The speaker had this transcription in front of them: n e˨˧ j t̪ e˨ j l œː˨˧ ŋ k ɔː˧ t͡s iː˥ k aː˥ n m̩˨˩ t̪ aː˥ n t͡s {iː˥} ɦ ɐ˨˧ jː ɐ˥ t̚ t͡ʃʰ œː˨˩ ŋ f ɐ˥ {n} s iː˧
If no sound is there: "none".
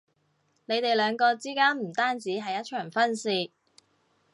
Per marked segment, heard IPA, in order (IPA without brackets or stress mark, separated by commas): iː˨˥, n